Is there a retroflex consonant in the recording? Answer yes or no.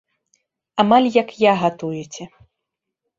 no